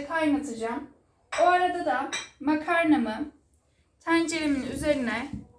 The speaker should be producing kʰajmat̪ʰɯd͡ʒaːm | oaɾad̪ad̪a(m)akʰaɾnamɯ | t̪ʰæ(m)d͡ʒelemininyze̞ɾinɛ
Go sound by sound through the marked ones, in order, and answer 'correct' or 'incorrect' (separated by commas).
correct, incorrect